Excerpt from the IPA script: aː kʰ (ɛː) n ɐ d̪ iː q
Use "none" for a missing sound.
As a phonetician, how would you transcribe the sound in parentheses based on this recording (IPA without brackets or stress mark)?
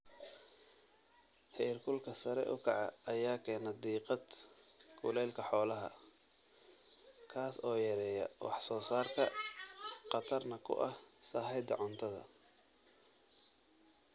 ɛː